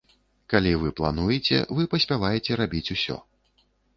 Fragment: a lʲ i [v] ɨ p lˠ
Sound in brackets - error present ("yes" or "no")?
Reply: no